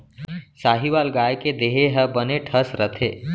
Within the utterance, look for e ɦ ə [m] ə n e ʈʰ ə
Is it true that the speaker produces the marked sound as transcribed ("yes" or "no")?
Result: no